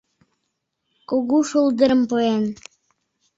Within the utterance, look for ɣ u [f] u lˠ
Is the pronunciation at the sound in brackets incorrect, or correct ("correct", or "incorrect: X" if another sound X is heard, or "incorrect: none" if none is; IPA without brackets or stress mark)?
incorrect: ʃ